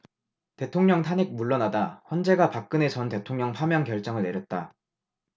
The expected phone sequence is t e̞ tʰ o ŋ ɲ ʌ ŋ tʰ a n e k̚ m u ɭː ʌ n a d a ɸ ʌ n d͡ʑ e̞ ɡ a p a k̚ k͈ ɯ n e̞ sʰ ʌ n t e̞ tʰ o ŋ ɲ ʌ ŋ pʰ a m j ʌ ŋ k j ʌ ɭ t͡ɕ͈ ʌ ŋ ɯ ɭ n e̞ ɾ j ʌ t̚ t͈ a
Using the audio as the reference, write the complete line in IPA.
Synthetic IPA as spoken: t e̞ tʰ o ŋ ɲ ʌ ŋ tʰ a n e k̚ m u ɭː ʌ n a d a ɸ ʌ n d͡ʑ e̞ ɡ a p a k̚ k͈ ɯ n e̞ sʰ ʌ n t e̞ tʰ o ŋ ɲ ʌ ŋ pʰ a m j ʌ ŋ k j ʌ ɭ t͡ɕ͈ ʌ ŋ ɯ ɭ n e̞ ɾ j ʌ t̚ t͈ a